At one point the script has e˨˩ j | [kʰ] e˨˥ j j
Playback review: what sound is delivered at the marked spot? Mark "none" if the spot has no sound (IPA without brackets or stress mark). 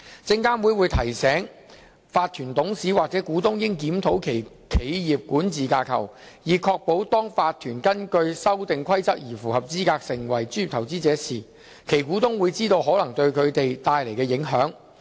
kʰ